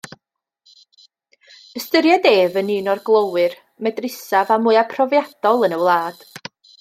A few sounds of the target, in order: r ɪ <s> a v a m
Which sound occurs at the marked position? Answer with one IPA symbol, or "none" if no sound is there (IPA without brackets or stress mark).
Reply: s